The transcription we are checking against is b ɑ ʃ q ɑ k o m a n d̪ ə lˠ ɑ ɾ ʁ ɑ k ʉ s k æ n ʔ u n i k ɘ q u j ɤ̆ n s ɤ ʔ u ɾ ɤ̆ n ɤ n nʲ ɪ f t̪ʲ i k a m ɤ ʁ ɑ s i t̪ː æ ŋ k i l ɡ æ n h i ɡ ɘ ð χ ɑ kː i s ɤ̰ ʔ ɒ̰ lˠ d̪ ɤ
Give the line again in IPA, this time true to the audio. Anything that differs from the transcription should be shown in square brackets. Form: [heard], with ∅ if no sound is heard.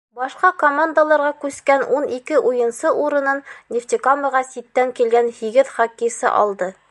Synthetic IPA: b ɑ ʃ q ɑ k o m a n d̪ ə lˠ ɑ ɾ ʁ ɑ k ʉ s k æ n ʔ u n i k ɘ [ʔ] u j ɤ̆ n s ɤ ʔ u ɾ ɤ̆ n ɤ n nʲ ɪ f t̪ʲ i k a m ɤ ʁ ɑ s i t̪ː æ ŋ k i l ɡ æ n h i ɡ ɘ ð χ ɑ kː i s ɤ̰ ʔ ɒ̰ lˠ d̪ ɤ